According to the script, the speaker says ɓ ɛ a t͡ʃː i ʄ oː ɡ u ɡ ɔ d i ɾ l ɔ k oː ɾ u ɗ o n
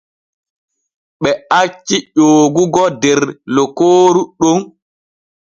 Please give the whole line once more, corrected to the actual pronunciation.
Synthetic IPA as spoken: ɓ ɛ a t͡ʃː i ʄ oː ɡ u ɡ ɔ d ɛ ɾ l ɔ k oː ɾ u ɗ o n